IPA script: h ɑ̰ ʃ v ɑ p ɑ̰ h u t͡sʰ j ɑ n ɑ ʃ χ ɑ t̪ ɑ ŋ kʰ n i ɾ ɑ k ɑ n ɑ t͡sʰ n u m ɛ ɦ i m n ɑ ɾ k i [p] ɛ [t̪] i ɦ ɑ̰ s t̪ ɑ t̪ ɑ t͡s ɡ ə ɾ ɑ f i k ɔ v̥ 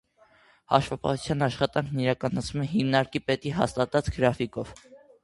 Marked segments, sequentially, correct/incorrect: correct, correct

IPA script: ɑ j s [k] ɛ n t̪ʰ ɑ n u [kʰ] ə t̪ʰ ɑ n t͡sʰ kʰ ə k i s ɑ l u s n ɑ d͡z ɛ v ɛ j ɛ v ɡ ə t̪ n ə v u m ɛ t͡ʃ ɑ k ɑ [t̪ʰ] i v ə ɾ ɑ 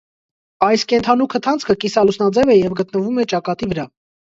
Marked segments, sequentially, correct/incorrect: correct, correct, incorrect

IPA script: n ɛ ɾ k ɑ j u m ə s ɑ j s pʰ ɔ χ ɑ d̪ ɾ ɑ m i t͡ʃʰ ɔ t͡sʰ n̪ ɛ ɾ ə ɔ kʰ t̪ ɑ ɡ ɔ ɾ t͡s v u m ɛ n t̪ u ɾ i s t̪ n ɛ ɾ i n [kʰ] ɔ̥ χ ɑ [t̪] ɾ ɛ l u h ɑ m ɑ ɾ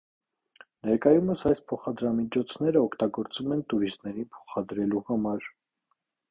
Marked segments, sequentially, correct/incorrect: incorrect, incorrect

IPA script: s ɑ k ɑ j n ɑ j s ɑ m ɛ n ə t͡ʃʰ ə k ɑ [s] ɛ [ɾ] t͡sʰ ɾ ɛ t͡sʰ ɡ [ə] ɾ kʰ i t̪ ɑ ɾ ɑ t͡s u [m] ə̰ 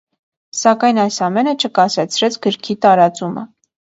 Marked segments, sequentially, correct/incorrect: correct, incorrect, correct, correct

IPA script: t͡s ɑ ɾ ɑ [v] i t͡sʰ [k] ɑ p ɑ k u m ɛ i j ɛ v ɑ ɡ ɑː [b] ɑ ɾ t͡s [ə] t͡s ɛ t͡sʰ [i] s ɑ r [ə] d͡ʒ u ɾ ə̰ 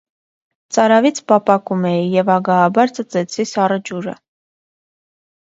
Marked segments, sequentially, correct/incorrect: correct, incorrect, correct, correct, correct, correct

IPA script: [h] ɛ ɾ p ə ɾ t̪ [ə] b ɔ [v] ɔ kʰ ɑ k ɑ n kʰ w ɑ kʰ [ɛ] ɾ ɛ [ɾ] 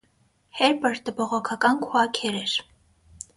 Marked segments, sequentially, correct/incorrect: correct, correct, incorrect, correct, correct

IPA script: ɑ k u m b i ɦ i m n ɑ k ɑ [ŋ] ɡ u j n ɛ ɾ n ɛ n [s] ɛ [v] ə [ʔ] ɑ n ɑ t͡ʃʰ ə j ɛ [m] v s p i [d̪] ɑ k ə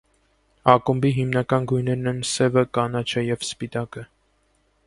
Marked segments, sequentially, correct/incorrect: incorrect, correct, correct, incorrect, incorrect, incorrect

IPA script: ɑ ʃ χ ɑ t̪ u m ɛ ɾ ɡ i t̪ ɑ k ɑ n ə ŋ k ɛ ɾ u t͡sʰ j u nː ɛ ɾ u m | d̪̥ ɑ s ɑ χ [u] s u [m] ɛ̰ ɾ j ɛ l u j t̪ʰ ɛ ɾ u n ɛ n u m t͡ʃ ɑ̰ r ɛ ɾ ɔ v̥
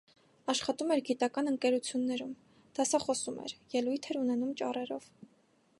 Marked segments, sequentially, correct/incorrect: incorrect, correct

